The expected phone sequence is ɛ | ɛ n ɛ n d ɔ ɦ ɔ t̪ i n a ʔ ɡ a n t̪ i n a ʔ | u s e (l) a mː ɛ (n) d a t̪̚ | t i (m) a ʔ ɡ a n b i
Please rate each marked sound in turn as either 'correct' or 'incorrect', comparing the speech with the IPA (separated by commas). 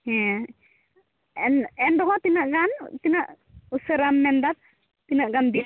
incorrect, correct, incorrect